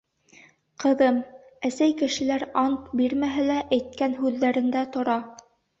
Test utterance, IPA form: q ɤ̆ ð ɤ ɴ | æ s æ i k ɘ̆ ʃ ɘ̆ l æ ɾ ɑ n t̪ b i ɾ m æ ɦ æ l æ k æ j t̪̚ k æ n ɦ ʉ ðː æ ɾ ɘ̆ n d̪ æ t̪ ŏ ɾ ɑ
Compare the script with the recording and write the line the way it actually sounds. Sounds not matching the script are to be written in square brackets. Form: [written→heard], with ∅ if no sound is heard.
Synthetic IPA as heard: q ɤ̆ ð ɤ [ɴ→m] | æ s æ [i→j] k ɘ̆ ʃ ɘ̆ l æ ɾ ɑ n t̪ b i ɾ m æ ɦ æ l æ [k→ʔ] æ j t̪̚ k æ n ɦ ʉ ðː æ ɾ ɘ̆ n d̪ æ t̪ ŏ ɾ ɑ

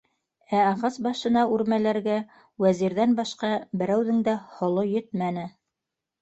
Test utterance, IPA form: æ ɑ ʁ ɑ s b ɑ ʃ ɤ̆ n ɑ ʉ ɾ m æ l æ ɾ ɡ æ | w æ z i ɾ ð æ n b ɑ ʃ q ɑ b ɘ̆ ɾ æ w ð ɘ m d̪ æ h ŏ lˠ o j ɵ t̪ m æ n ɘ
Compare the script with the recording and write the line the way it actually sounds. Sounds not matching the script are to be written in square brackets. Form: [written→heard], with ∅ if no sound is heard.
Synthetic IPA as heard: æ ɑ ʁ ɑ s b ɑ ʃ ɤ̆ n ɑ ʉ ɾ m æ l æ ɾ ɡ æ | w æ z i ɾ ð æ n b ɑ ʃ q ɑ b ɘ̆ ɾ æ w ð ɘ [m→ŋ] d̪ æ h ŏ lˠ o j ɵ t̪ m æ n ɘ

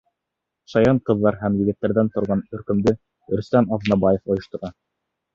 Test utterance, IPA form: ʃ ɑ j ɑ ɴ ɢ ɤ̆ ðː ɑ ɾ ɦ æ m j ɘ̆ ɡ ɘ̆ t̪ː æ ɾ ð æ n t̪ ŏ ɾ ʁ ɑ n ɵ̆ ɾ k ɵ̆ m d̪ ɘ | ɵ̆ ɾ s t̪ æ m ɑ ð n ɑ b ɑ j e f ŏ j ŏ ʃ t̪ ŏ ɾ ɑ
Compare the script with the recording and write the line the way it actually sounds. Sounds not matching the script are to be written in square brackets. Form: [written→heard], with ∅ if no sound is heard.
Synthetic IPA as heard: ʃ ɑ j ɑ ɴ [ɢ→q] ɤ̆ ðː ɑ ɾ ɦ æ m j ɘ̆ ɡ ɘ̆ t̪ː æ ɾ ð æ n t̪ ŏ ɾ ʁ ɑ n ɵ̆ ɾ k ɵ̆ m d̪ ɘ | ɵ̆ ɾ s t̪ æ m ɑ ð n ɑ b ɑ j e f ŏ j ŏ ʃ t̪ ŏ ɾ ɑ

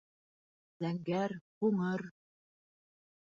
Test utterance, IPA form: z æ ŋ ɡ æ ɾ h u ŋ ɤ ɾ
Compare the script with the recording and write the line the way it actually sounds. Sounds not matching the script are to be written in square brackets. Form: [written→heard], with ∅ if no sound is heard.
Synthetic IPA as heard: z æ ŋ ɡ æ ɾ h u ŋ ɤ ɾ

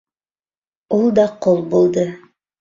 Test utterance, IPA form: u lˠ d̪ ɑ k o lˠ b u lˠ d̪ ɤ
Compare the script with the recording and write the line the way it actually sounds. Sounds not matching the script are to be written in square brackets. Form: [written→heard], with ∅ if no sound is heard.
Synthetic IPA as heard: u lˠ d̪ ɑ [k→q] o lˠ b u lˠ d̪ ɤ

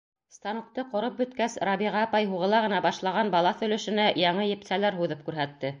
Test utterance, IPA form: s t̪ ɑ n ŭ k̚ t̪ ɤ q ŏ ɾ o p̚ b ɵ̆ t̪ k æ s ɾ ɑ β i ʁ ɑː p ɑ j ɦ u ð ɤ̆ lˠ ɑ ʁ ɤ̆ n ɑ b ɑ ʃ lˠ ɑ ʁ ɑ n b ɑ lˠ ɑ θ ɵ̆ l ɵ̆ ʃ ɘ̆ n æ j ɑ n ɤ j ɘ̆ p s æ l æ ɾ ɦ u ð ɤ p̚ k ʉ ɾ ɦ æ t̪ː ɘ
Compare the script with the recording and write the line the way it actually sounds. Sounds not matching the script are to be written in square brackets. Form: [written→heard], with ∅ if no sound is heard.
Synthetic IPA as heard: s t̪ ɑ n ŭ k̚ t̪ ɤ q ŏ ɾ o p̚ b ɵ̆ t̪ k æ s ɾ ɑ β i ʁ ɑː p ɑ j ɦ u [ð→ʁ] ɤ̆ lˠ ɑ ʁ ɤ̆ n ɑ b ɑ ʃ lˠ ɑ ʁ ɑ n b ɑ lˠ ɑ θ ɵ̆ l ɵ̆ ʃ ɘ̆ n æ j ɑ [n→ɴ] ɤ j ɘ̆ p s æ l æ ɾ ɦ u ð ɤ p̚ k ʉ ɾ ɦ æ t̪ː ɘ

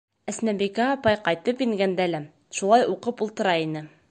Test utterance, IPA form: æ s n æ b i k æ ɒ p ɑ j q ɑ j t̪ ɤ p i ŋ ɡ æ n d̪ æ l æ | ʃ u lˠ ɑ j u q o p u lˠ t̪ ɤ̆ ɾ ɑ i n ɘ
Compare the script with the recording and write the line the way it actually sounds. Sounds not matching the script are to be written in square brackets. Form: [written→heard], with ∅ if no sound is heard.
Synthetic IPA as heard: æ s n æ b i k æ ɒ p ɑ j q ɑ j t̪ ɤ p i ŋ ɡ æ n d̪ æ l æ | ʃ u lˠ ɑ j u q [o→ɤ] p u lˠ t̪ ɤ̆ ɾ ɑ i n ɘ

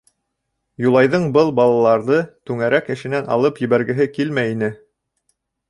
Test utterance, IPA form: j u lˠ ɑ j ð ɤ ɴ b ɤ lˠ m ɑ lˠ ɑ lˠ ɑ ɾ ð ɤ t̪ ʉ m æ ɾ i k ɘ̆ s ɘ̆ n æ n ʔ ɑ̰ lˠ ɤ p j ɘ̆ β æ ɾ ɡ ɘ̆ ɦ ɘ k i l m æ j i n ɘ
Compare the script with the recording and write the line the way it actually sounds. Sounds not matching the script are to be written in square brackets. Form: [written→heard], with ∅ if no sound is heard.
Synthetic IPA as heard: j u lˠ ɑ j ð ɤ ɴ b ɤ lˠ [m→b] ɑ lˠ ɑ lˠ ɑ ɾ ð ɤ t̪ ʉ [m→ŋ] æ ɾ [i→æ] k ɘ̆ [s→ʃ] ɘ̆ n æ n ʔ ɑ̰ lˠ ɤ p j ɘ̆ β æ ɾ ɡ ɘ̆ ɦ ɘ k i l m æ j i n ɘ

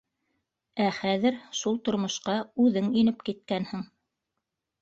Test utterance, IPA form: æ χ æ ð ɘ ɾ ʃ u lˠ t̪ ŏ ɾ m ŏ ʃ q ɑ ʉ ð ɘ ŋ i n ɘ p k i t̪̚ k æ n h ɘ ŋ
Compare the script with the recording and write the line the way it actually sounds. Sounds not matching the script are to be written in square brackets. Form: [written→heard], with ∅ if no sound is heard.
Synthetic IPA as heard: æ χ æ ð ɘ ɾ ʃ u lˠ t̪ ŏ ɾ m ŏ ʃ q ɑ ʉ ð ɘ ŋ i n ɘ p k i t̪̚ k æ n h ɘ ŋ

